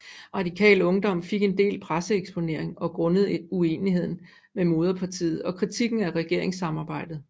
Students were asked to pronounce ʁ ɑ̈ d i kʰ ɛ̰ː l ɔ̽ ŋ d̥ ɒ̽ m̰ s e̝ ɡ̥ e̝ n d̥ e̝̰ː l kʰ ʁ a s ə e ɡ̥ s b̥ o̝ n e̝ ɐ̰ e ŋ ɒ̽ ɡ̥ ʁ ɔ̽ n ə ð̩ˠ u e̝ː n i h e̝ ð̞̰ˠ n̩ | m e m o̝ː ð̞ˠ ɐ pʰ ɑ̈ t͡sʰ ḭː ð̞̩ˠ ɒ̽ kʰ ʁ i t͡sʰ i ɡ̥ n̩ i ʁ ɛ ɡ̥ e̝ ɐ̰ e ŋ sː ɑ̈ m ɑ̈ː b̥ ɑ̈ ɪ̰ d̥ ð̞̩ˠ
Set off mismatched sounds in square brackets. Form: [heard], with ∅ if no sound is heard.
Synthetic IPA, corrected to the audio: ʁ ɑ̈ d i kʰ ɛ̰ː l ɔ̽ ŋ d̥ ɒ̽ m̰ [f] e̝ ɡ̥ e̝ n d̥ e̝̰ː l [pʰ] ʁ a s ə e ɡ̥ s b̥ o̝ n e̝ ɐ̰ e ŋ ɒ̽ ɡ̥ ʁ ɔ̽ n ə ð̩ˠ u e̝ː n i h e̝ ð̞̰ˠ n̩ | m e m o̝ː ð̞ˠ ɐ pʰ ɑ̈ t͡sʰ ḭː ð̞̩ˠ ɒ̽ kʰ ʁ i t͡sʰ i ɡ̥ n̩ [æ] ʁ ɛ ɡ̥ e̝ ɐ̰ e ŋ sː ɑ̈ m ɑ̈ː b̥ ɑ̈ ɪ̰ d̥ ð̞̩ˠ